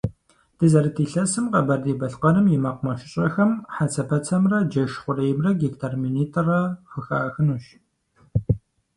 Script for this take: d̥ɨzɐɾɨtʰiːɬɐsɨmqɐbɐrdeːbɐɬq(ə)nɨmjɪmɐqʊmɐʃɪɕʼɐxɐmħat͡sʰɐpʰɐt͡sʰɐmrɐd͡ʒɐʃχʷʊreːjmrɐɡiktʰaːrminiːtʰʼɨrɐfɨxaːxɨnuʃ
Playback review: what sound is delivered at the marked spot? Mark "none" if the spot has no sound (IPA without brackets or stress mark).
ɐ